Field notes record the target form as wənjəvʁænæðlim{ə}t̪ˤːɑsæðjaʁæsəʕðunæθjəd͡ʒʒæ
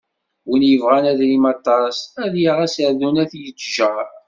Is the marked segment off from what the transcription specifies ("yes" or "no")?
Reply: yes